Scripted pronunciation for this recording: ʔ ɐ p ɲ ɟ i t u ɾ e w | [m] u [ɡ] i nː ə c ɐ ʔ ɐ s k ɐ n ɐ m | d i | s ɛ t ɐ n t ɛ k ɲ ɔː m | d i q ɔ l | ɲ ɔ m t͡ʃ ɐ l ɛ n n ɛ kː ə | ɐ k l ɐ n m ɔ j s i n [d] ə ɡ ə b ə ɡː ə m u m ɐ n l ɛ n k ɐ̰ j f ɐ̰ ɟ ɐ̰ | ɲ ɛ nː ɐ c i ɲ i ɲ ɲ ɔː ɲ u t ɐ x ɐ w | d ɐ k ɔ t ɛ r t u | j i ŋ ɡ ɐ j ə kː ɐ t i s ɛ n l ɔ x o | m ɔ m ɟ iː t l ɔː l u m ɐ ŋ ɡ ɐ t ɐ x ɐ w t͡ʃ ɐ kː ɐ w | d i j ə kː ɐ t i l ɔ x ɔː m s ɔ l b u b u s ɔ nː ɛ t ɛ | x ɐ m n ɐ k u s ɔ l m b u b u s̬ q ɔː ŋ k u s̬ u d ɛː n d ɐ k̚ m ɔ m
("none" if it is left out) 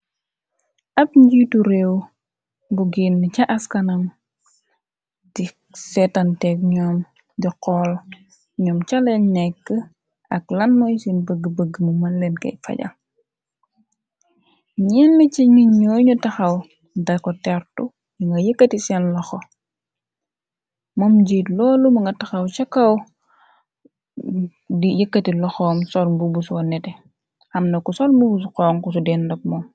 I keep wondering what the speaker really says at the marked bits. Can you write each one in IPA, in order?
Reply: b, ɡ, b

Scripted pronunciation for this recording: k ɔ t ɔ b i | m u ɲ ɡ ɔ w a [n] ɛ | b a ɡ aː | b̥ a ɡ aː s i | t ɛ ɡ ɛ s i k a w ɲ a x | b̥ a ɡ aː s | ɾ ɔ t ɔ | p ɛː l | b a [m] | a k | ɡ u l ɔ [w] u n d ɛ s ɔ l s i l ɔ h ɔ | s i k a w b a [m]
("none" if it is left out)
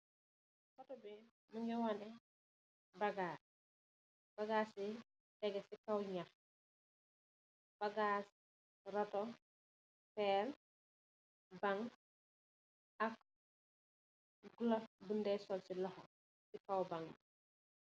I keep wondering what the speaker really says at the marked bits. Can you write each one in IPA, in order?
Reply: n, ŋ, b, ŋ

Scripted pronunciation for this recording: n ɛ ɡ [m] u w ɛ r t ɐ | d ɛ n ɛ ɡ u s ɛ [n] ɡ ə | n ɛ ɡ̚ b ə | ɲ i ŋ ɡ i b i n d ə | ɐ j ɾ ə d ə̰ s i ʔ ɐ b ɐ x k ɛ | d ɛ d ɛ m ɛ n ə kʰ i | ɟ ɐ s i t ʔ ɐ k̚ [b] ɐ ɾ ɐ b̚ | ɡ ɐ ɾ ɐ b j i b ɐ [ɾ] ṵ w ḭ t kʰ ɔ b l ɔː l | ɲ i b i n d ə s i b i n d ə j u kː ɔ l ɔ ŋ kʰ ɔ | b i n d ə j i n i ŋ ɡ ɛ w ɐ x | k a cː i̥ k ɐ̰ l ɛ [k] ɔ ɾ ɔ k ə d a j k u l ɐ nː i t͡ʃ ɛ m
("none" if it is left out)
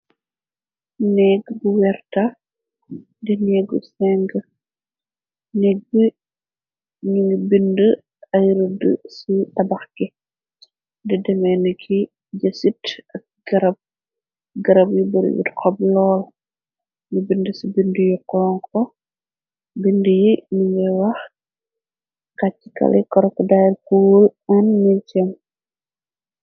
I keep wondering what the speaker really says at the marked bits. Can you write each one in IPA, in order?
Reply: b, ŋ, ɡ, ɾ, k

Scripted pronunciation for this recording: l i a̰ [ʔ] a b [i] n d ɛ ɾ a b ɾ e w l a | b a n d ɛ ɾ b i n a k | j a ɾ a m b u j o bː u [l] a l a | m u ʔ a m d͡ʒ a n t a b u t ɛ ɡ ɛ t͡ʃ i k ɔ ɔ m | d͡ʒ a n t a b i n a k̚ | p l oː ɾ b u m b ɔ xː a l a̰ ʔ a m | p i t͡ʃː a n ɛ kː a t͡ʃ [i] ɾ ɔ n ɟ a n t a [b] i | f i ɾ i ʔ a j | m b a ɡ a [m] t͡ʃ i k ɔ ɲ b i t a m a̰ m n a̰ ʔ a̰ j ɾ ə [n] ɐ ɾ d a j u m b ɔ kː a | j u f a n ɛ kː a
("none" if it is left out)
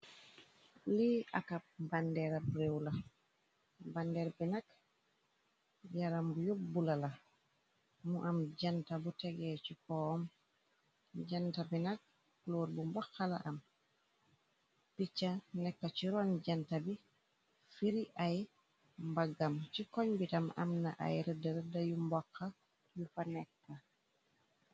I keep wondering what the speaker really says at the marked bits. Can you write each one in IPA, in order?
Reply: k, a, l, i, b, m, d

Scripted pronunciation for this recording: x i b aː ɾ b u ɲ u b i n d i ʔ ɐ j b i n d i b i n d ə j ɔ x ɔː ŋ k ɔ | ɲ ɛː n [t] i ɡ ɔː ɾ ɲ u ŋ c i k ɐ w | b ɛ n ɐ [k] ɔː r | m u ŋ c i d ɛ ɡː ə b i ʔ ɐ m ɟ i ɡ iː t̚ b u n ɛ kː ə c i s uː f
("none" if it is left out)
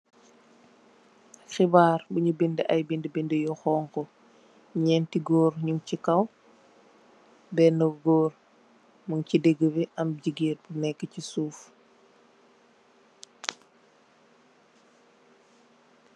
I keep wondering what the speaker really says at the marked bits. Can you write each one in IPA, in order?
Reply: t, ɡ

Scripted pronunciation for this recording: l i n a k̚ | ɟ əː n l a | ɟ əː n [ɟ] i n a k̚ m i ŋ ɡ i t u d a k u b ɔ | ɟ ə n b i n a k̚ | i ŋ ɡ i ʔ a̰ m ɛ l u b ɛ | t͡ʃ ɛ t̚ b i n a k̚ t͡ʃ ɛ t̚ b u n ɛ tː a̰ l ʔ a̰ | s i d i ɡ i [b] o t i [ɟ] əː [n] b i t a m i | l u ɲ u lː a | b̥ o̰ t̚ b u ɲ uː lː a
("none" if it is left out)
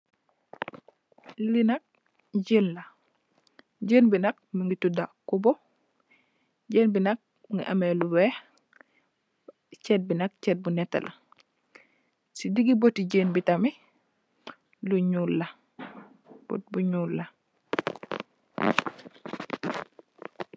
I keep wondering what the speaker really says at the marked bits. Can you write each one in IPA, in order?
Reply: b, b, ɟ, n

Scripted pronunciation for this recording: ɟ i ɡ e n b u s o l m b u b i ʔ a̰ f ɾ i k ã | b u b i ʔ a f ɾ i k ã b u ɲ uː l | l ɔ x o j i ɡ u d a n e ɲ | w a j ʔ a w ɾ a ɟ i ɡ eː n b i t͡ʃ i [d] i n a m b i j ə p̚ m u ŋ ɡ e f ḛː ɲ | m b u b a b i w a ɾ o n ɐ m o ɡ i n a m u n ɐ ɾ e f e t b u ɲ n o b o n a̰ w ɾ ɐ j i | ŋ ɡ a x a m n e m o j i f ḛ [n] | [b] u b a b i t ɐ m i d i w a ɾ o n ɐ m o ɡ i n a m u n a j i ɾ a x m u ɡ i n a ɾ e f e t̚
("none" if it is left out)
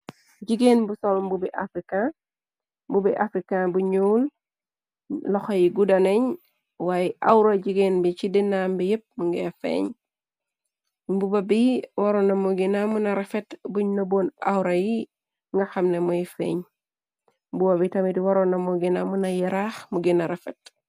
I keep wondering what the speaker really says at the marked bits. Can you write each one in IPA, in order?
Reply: d, ɲ, b

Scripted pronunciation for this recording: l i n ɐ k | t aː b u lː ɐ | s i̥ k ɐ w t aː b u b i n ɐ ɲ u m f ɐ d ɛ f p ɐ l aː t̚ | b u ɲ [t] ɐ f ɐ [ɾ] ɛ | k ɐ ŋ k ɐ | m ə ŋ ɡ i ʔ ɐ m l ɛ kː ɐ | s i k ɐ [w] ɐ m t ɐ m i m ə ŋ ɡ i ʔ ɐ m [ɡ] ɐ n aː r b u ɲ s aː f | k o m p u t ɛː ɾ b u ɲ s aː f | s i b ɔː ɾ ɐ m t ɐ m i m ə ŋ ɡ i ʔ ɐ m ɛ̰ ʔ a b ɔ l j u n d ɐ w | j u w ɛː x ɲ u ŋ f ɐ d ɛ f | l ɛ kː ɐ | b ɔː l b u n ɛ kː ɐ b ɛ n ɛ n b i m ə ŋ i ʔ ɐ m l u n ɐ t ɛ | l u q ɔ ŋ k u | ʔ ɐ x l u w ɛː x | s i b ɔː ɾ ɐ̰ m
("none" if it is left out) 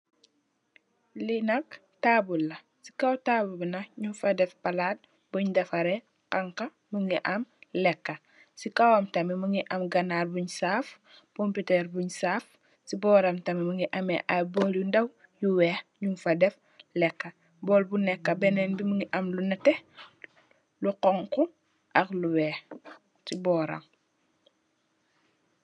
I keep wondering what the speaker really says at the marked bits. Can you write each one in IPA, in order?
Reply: d, ɾ, w, ɡ

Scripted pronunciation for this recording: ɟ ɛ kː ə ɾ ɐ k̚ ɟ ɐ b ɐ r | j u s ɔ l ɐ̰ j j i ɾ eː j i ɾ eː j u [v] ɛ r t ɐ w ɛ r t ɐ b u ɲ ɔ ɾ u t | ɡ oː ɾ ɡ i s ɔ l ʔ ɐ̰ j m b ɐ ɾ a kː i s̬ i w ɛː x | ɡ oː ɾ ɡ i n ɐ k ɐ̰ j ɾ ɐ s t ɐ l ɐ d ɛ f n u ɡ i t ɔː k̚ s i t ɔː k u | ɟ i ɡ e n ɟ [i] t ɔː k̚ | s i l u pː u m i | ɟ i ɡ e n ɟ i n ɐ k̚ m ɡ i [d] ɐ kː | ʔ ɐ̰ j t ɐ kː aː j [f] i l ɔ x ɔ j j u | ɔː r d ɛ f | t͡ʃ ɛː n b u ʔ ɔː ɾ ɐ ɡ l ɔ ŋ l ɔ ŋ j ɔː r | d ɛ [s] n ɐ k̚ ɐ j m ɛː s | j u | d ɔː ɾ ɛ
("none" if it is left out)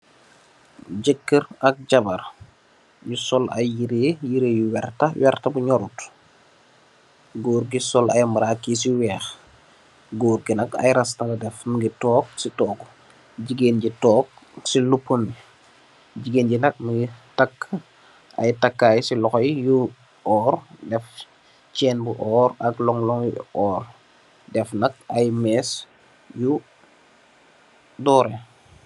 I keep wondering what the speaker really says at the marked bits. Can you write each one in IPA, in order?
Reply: w, i, t, s, f

